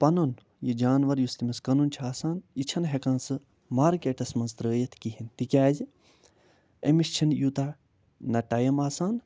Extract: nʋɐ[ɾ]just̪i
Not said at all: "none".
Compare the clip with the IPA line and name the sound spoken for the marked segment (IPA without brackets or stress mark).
ɾ